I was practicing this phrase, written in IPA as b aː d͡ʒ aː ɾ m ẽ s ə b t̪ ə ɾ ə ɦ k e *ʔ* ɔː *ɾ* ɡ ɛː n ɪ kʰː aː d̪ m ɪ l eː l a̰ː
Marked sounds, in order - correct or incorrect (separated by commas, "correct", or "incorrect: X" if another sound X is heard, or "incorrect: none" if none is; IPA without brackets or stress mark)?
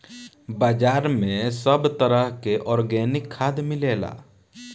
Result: correct, correct